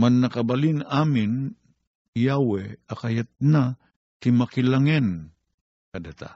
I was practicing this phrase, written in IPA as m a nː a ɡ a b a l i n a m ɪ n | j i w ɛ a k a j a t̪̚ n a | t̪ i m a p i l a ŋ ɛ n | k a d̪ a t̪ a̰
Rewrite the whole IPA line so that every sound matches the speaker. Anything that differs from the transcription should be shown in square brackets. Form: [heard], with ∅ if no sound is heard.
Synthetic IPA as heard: m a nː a [k] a b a l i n a m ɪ n | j [a] w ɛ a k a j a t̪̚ n a | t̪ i m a [k] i l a ŋ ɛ n | k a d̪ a t̪ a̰